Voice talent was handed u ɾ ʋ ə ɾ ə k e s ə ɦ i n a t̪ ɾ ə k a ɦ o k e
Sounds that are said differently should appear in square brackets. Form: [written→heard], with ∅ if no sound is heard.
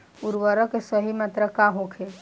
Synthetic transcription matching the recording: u ɾ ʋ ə ɾ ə k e s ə ɦ i [n→m] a t̪ ɾ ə k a ɦ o [k→kʰ] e